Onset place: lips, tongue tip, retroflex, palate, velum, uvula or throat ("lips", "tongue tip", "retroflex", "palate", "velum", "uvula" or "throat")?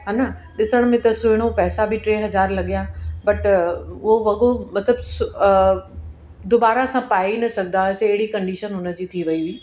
throat